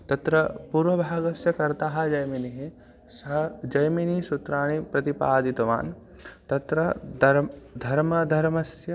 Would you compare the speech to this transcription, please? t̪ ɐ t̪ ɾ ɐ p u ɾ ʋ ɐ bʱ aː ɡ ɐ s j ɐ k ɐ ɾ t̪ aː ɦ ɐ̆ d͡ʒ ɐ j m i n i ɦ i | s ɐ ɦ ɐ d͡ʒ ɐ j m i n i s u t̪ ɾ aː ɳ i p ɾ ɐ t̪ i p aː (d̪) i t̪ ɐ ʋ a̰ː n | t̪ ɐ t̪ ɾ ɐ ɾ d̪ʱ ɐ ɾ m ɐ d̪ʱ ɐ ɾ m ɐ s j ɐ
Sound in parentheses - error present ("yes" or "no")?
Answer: no